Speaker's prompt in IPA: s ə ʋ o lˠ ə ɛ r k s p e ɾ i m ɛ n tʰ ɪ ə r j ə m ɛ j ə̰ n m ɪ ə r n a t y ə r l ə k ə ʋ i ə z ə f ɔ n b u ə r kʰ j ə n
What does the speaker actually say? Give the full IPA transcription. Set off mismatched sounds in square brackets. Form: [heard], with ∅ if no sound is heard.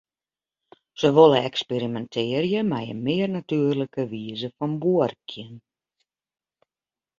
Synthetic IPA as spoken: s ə ʋ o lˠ ə ɛ [∅] k s p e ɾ i m ɛ n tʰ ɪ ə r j ə m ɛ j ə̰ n m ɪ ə r n a t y ə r l ə k ə ʋ i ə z ə f ɔ n b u ə r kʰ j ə n